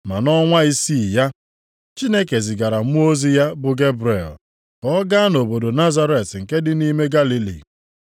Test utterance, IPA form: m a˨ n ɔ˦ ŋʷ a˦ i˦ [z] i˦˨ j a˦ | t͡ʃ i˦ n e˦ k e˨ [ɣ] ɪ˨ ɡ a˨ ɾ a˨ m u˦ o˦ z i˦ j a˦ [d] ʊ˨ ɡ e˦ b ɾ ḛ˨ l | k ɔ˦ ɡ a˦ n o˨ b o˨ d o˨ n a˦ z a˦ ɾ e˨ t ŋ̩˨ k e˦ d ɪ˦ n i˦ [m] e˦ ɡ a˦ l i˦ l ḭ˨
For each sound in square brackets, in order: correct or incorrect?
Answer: incorrect, incorrect, incorrect, correct

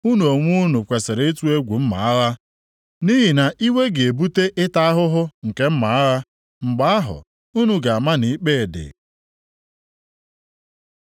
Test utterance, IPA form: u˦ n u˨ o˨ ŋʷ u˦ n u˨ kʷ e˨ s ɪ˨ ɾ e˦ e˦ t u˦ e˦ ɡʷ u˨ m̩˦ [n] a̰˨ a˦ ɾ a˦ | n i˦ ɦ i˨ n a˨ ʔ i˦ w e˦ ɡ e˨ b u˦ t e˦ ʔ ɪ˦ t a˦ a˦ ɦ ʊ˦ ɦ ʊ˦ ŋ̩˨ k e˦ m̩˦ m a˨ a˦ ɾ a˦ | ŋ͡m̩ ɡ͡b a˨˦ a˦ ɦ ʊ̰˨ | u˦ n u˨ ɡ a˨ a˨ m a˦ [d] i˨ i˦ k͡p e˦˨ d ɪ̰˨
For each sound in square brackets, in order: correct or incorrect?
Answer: incorrect, incorrect

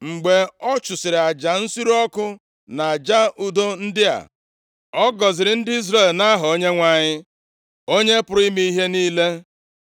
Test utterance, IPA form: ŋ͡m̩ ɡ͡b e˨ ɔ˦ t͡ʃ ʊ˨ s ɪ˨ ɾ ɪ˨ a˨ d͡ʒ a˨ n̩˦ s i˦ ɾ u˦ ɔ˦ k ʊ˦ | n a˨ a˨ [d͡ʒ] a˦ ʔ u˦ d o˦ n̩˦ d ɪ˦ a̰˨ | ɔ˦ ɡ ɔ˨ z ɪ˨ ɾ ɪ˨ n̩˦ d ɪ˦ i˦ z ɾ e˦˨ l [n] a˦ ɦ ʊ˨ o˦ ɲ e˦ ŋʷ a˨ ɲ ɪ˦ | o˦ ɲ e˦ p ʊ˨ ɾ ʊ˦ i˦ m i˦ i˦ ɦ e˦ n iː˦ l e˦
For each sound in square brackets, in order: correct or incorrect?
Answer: correct, correct

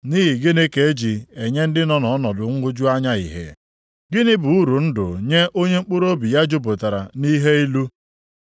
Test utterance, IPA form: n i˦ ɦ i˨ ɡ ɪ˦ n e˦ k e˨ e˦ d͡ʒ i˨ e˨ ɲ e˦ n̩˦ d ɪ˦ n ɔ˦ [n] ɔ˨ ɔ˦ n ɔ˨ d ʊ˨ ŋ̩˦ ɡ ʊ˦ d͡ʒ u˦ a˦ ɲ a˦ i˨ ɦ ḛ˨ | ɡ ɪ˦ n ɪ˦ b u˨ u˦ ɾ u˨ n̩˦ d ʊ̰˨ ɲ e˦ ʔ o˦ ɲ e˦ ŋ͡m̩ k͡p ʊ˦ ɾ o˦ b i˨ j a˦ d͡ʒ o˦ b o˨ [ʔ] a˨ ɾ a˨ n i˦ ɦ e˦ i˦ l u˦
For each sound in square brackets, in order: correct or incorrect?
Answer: correct, incorrect

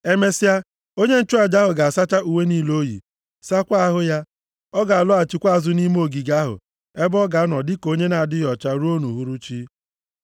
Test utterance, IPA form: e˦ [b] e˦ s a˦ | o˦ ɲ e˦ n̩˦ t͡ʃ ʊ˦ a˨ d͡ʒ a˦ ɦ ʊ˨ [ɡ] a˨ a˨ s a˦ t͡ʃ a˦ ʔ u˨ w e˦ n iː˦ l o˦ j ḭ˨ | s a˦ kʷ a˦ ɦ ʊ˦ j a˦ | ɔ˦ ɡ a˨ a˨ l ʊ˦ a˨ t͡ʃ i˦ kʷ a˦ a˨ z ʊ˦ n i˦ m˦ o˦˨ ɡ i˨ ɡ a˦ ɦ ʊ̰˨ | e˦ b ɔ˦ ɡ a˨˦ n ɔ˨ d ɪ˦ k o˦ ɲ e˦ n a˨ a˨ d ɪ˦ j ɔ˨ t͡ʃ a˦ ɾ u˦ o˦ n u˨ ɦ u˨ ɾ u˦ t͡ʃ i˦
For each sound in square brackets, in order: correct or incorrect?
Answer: incorrect, correct

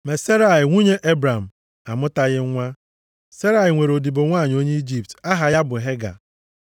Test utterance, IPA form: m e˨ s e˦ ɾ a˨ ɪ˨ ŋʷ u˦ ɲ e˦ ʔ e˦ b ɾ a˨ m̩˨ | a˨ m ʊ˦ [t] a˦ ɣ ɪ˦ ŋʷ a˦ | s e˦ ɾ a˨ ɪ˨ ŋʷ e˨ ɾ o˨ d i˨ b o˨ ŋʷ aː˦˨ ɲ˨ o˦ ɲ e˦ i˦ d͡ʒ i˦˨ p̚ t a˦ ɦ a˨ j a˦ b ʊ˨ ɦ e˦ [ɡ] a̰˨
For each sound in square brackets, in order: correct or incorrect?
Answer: correct, correct

